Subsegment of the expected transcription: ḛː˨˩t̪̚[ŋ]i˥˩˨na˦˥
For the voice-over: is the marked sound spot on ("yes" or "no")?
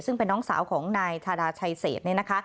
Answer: no